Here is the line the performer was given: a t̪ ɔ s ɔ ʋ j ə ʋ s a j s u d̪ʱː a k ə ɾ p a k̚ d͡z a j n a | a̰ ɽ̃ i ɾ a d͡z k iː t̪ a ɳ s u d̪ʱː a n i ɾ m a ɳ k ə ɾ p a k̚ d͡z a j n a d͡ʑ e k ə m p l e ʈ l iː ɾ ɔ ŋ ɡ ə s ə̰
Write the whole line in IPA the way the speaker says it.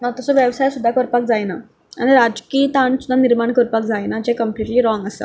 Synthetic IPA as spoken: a t̪ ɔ s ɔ ʋ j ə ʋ s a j s u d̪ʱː a k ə ɾ p a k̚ d͡z a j n a | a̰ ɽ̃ i ɾ a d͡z k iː t̪ a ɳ s u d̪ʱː a n i ɾ m a ɳ k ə ɾ p a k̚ d͡z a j n a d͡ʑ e k ə m p l i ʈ l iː ɾ ɔ ŋ ɡ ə s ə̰